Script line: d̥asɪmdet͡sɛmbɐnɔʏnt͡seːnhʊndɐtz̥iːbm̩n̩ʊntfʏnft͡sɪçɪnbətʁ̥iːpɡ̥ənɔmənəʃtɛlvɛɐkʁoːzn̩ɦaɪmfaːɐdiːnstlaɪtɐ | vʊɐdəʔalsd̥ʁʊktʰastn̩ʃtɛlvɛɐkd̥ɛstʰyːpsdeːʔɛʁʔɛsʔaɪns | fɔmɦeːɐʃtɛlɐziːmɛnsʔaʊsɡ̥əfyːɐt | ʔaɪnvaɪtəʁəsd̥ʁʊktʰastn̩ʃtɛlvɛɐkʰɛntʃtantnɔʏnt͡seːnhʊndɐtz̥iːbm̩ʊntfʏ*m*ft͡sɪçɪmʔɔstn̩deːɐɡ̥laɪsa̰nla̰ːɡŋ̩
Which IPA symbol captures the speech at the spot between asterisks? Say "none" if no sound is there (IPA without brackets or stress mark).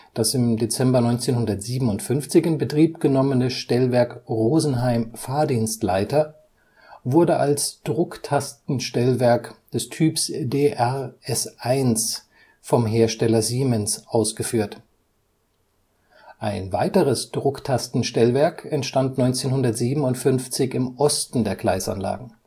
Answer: n